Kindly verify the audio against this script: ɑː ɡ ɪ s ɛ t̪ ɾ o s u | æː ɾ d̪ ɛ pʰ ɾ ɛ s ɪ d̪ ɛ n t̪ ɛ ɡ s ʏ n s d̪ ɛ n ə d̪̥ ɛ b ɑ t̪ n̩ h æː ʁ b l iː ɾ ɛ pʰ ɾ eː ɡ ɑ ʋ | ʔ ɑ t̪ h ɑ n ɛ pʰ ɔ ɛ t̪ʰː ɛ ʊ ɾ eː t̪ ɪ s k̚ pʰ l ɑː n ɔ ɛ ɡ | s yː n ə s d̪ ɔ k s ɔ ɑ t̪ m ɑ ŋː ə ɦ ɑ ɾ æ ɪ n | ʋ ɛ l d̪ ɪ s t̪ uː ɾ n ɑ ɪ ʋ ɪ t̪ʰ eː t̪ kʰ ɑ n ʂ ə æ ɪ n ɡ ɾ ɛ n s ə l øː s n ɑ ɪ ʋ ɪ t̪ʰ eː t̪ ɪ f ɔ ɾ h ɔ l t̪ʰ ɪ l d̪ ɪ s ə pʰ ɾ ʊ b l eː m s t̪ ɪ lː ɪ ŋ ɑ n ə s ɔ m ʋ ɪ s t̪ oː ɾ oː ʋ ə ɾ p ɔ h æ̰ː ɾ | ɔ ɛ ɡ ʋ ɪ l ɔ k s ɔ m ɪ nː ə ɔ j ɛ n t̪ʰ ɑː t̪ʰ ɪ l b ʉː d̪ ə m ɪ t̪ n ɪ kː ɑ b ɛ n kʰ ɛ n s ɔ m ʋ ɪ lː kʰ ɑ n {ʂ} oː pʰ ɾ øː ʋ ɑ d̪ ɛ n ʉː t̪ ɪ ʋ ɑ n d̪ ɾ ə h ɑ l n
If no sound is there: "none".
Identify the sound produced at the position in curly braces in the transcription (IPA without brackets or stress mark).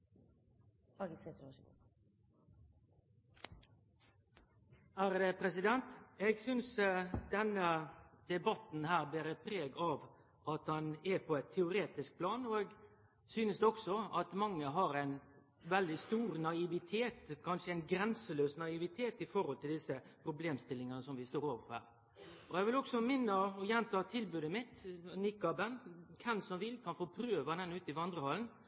f